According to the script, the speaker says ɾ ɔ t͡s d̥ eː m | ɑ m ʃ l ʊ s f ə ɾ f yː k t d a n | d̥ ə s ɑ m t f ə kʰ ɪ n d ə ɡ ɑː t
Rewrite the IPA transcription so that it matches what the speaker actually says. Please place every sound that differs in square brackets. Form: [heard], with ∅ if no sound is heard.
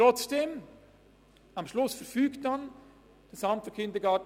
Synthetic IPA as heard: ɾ ɔ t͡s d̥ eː m | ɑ m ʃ l ʊ s f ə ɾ f yː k t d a n | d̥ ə s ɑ m t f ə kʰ ɪ n d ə ɡ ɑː t